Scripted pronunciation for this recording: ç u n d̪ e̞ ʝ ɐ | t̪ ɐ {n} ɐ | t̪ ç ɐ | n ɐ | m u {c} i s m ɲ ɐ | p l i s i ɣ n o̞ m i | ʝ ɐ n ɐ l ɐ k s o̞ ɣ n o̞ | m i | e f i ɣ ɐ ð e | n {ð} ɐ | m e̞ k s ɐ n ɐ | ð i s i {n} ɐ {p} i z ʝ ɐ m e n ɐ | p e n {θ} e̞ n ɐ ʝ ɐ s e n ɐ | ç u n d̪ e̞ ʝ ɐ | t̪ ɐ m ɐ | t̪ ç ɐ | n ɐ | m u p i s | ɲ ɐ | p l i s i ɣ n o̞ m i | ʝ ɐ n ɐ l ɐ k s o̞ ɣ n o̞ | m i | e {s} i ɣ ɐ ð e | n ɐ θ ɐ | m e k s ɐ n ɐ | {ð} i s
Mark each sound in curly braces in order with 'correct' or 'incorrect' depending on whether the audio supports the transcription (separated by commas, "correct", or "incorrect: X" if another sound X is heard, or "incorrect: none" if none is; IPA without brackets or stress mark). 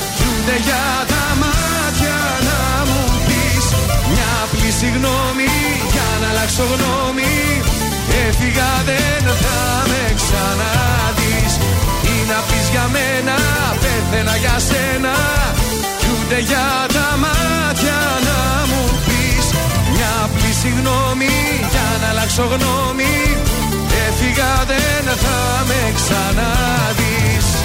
incorrect: m, incorrect: p, incorrect: θ, correct, correct, correct, incorrect: f, correct